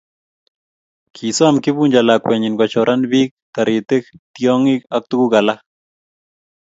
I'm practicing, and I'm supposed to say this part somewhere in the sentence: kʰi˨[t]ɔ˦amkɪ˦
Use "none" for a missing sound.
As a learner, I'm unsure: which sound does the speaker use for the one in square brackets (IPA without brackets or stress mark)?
s